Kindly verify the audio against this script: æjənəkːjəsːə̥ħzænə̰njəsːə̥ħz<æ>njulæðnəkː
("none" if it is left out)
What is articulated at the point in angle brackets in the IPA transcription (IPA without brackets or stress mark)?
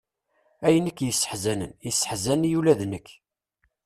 æ